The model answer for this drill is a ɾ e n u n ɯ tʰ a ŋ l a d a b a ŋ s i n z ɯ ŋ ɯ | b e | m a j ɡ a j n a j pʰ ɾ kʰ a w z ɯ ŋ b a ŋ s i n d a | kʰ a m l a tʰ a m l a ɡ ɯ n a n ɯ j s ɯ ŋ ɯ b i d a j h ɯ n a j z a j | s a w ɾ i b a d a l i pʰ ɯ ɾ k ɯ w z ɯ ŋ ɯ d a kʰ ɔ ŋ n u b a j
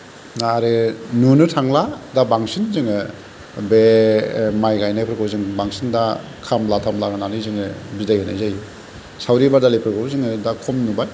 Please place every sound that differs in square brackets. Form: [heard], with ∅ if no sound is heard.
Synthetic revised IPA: a ɾ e n u n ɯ tʰ a ŋ l a d a b a ŋ s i n z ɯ ŋ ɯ | b e | m a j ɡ a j n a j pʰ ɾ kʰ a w z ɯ ŋ b a ŋ s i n d a | kʰ a m l a tʰ a m l a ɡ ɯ n a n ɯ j [z] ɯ ŋ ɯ b i d a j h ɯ n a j z a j | s a w ɾ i b a d a l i pʰ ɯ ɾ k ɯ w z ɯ ŋ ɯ d a kʰ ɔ [m] n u b a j